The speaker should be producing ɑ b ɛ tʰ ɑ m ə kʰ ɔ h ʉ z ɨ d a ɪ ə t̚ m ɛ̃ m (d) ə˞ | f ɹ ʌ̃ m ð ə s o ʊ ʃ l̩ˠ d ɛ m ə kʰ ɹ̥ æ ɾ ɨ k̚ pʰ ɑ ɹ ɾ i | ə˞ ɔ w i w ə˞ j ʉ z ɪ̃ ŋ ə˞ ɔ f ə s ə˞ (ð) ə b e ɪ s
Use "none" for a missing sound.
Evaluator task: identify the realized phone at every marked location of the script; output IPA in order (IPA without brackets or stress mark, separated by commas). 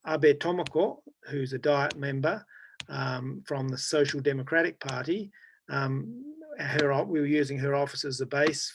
b, z